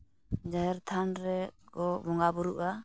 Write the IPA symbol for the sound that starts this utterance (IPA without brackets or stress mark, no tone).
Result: d͡ʒ